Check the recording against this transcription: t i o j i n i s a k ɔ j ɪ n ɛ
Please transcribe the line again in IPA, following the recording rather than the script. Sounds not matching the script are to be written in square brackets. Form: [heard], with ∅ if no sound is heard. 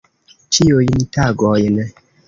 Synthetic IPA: [t͡ʃ] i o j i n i [t] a [ɡ] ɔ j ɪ n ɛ